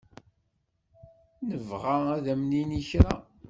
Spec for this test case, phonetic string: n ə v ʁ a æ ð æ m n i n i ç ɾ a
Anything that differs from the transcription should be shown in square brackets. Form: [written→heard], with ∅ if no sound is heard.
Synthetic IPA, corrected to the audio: n ə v ʁ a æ ð æ m n i n i ç ɾ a